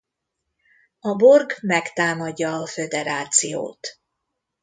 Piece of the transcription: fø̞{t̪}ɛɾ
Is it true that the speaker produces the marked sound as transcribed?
no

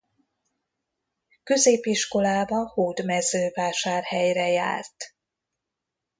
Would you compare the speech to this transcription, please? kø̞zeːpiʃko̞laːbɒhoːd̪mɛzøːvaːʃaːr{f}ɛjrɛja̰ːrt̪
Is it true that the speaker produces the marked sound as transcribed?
no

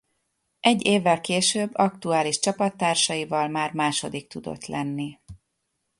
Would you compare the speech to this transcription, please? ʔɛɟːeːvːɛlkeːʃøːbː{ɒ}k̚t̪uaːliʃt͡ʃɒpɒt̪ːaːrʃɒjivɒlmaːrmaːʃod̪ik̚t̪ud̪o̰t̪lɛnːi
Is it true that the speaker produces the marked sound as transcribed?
yes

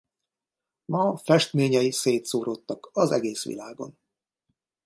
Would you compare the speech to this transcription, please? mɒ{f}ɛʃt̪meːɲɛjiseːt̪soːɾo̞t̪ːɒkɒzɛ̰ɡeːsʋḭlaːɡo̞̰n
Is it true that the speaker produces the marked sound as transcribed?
yes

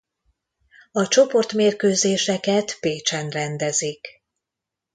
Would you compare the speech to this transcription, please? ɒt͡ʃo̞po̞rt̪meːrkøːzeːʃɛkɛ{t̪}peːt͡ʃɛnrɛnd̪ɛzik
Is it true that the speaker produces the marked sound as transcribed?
yes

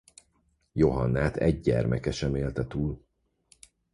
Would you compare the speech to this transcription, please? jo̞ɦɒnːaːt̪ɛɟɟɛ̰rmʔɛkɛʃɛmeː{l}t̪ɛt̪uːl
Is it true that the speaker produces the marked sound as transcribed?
yes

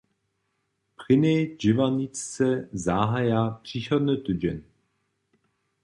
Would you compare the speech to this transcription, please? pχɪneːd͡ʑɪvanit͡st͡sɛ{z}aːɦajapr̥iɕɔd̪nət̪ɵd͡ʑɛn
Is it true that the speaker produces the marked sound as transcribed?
yes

